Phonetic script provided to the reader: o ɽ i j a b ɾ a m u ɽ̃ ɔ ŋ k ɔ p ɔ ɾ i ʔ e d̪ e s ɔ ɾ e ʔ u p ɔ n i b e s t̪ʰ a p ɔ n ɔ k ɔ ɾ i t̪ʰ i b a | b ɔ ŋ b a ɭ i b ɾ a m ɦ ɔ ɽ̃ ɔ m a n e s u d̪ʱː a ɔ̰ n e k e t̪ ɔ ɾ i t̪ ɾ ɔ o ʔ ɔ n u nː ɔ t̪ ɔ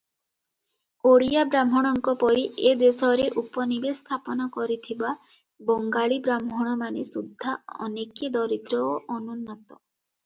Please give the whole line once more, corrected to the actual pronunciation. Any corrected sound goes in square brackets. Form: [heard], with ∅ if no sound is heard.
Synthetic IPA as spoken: o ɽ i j a b ɾ a m [ɔ] ɽ̃ ɔ ŋ k ɔ p ɔ ɾ i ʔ e d̪ e s ɔ ɾ e ʔ u p ɔ n i b e s t̪ʰ a p ɔ n ɔ k ɔ ɾ i t̪ʰ i b a | b ɔ ŋ [ɡ] a ɭ i b ɾ a m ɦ ɔ ɽ̃ ɔ m a n e s u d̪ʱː a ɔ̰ n e k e [d̪] ɔ ɾ i t̪ ɾ ɔ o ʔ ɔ n u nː ɔ t̪ ɔ